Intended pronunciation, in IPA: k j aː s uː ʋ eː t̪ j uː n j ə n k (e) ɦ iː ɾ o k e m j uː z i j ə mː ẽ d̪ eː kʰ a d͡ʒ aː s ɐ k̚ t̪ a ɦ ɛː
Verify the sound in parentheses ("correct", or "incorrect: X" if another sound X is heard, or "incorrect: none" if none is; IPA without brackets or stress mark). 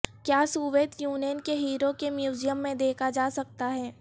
correct